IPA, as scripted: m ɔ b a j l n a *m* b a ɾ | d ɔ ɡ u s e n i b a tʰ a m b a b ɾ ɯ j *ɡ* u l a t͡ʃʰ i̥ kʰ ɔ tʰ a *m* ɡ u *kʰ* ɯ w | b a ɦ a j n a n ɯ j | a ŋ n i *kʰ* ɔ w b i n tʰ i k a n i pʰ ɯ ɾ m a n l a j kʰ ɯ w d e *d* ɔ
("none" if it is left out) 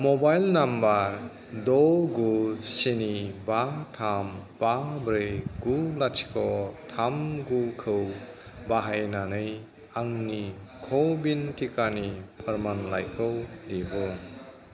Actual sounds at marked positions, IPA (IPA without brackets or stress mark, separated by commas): m, ɡ, m, kʰ, kʰ, b